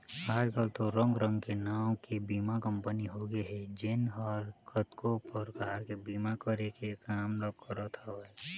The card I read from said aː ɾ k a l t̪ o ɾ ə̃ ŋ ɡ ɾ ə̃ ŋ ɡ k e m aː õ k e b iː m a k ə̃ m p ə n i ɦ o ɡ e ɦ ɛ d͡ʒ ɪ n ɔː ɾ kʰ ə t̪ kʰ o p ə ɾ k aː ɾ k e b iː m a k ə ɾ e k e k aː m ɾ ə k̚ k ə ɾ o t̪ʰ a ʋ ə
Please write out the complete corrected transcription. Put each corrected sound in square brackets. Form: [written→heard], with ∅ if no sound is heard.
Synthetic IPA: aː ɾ k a l t̪ o ɾ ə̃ ŋ ɡ ɾ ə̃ ŋ ɡ k e [m→n] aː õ k e b iː m a k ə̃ m p ə n i ɦ o ɡ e ɦ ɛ d͡ʒ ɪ n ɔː ɾ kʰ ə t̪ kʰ o p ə ɾ k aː ɾ k e b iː m a k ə ɾ e k e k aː m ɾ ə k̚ k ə ɾ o t̪ʰ a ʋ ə